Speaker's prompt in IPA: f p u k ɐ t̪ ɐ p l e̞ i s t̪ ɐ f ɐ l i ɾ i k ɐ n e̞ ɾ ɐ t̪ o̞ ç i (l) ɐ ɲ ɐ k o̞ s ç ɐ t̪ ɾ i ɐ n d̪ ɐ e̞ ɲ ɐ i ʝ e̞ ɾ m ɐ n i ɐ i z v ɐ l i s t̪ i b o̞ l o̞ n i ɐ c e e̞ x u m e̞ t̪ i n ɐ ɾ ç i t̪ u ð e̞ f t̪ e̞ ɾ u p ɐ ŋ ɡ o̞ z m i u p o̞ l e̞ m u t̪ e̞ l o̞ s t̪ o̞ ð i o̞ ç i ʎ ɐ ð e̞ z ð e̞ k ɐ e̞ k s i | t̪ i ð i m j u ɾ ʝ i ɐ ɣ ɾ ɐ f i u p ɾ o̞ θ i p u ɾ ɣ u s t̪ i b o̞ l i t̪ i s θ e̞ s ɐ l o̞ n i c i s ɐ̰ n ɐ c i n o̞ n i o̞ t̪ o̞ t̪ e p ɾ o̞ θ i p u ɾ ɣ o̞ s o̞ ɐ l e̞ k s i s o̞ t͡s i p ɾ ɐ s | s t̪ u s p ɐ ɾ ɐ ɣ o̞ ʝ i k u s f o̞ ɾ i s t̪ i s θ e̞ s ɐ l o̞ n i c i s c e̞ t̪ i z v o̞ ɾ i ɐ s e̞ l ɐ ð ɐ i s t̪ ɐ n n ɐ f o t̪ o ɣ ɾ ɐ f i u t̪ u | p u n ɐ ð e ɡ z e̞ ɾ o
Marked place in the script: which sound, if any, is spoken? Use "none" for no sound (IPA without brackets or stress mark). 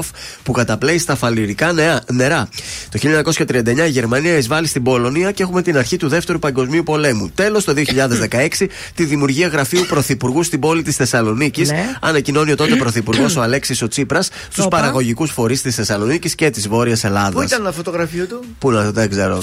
ʎ